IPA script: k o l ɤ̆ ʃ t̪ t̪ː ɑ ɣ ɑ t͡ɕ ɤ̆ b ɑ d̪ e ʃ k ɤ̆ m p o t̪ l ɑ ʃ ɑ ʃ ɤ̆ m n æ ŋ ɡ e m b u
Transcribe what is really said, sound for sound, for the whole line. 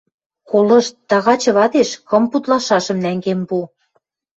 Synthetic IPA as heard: k o l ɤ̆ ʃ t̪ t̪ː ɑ ɣ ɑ t͡ɕ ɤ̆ β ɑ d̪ e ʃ k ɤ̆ m p u t̪ l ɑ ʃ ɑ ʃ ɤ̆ m n æ ŋ ɡ e m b u

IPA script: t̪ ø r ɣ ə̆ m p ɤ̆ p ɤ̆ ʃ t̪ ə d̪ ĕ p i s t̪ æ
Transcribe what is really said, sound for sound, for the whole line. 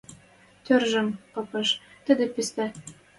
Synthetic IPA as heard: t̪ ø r ʒ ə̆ m p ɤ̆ p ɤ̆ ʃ t̪ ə d̪ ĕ p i s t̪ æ

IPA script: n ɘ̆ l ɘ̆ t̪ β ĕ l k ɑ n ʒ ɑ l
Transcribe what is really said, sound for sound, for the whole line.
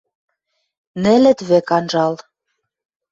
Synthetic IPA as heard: n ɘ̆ l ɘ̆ t̪ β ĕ k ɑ n ʒ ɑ l

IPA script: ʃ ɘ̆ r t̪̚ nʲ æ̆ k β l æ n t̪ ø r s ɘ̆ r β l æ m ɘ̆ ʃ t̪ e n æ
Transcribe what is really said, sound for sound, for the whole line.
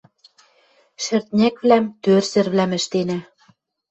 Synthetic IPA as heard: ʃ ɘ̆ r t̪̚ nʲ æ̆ k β l æ m t̪ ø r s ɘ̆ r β l æ m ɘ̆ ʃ t̪ e n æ

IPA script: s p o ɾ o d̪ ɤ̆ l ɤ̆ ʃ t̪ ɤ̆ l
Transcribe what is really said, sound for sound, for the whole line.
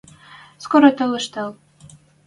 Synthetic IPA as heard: s k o ɾ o t̪ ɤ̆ l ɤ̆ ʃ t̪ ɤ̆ l

